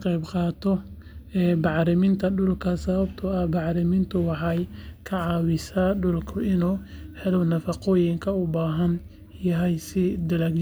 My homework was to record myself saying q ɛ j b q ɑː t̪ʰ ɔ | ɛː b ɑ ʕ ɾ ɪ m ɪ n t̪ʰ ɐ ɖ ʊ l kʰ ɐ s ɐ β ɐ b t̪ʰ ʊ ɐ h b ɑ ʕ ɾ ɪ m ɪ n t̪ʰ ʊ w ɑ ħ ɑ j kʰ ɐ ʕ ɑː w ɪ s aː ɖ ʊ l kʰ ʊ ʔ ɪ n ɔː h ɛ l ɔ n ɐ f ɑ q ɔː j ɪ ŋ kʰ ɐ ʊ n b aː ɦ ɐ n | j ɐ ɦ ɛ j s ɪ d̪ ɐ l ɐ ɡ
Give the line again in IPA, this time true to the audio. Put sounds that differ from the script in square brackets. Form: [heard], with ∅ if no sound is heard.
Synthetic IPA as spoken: q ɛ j b q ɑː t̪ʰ ɔ | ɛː b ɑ ʕ ɾ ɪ m ɪ n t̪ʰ ɐ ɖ ʊ l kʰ ɐ s ɐ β ɐ b t̪ʰ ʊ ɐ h b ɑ ʕ ɾ ɪ m ɪ n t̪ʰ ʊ w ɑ ħ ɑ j kʰ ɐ ʕ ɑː w ɪ s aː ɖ ʊ l kʰ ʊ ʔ ɪ n [uː] h ɛ l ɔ n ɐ f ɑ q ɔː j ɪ ŋ kʰ ɐ ʊ [∅] b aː ɦ ɐ n | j ɐ ɦ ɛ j s ɪ d̪ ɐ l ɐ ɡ